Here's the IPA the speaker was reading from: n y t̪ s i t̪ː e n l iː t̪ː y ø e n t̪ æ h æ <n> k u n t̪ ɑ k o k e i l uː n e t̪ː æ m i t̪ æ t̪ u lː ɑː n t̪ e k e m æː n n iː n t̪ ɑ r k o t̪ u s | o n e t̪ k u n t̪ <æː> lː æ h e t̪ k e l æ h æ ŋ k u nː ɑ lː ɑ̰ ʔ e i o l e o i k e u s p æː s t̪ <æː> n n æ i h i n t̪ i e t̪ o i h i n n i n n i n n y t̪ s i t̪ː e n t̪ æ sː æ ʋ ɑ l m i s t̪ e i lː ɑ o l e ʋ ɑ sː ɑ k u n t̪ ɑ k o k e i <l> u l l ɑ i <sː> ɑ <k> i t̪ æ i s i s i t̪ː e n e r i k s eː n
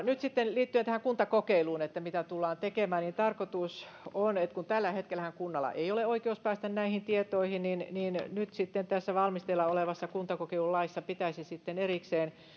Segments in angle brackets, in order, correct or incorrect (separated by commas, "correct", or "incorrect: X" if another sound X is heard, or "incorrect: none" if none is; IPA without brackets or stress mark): incorrect: ŋ, incorrect: æ, incorrect: æ, correct, correct, incorrect: p